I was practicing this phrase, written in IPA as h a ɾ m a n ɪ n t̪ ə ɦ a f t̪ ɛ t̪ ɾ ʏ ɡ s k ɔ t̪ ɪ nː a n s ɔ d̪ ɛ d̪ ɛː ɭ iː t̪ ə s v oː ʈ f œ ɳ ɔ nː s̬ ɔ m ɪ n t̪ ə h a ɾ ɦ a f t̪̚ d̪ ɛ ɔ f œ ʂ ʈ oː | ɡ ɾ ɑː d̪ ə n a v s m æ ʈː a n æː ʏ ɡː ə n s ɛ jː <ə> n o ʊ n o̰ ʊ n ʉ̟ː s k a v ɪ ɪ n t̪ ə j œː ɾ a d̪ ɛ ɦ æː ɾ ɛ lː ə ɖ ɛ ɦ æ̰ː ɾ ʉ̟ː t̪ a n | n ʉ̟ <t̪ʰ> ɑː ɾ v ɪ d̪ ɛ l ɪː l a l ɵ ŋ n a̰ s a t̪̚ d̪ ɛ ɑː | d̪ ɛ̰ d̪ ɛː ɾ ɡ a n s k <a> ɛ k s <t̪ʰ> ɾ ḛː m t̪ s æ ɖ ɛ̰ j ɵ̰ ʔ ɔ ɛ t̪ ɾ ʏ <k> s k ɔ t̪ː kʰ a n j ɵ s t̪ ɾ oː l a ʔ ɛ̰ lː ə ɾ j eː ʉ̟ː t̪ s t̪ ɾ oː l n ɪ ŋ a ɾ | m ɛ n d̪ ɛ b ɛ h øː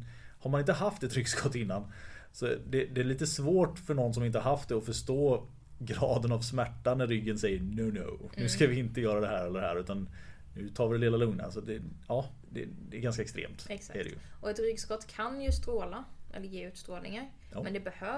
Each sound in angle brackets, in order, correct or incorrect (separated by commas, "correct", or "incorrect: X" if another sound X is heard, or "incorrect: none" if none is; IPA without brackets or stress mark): correct, correct, correct, incorrect: t̪, incorrect: ɡ